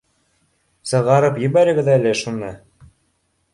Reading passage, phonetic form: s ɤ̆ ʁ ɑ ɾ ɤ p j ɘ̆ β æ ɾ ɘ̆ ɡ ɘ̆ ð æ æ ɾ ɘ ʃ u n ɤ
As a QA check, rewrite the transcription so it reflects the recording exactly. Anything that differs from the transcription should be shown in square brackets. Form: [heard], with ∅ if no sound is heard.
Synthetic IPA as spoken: s ɤ̆ ʁ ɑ ɾ ɤ p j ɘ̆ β æ ɾ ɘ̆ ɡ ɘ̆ ð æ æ [l] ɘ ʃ u n ɤ